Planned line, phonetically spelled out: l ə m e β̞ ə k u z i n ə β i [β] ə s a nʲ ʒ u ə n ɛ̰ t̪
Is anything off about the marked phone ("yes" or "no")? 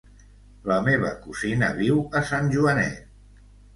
yes